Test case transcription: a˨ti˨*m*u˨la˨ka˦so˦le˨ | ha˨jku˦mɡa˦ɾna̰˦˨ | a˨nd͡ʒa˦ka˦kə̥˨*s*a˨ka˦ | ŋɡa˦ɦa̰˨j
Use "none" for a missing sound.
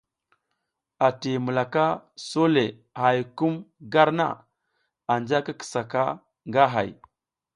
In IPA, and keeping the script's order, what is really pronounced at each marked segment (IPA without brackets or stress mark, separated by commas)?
m, s